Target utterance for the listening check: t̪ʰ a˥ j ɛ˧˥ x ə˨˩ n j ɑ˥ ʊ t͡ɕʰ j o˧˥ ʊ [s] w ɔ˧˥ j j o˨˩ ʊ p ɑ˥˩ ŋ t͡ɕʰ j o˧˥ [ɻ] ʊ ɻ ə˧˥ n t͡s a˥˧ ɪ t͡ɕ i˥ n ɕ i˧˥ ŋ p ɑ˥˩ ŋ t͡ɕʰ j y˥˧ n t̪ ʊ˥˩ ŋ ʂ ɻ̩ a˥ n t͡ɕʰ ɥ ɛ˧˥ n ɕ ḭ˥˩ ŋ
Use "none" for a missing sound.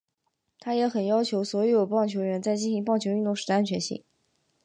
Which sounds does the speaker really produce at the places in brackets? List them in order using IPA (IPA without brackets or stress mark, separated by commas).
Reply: s, none